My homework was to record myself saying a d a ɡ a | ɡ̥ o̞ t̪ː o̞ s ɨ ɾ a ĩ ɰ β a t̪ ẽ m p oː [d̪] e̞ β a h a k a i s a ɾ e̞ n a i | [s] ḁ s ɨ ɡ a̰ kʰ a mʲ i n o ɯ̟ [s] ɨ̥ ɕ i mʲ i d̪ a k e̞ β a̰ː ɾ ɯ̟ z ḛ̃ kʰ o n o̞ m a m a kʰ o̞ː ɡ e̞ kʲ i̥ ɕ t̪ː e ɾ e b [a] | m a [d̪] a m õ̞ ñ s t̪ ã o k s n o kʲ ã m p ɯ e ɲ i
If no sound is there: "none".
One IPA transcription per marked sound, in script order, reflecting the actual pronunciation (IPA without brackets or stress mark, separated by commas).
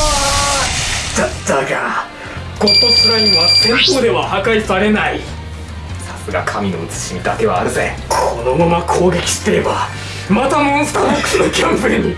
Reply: d̪, s, t͡s, a, t̪